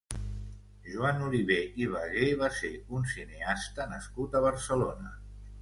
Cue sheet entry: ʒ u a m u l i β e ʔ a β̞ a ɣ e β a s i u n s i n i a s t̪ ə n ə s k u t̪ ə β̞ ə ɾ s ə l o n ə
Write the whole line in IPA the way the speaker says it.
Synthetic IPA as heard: ʒ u a n u l i β e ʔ i β̞ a ɣ e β a s e u n s i n e a s t̪ ə n ə s k u t̪ ə β̞ ə ɾ s ə l o n ə